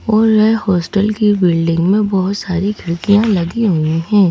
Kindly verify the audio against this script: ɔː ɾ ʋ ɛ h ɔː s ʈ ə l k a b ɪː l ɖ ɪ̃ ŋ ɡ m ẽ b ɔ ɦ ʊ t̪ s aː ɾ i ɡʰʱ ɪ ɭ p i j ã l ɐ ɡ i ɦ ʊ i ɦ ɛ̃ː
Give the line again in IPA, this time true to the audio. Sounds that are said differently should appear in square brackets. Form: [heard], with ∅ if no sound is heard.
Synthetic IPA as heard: ɔː ɾ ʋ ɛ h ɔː s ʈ ə l k [i] b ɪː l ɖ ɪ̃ ŋ ɡ m ẽ b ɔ ɦ ʊ t̪ s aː ɾ i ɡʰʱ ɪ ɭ [k] i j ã l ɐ ɡ i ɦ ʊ i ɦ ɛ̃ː